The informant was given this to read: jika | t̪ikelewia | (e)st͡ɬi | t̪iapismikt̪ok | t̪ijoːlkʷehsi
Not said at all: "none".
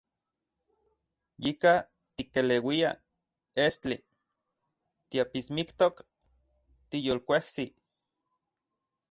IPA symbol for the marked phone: e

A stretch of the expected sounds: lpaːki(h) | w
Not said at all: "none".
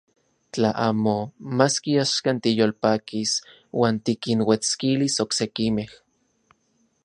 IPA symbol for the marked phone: s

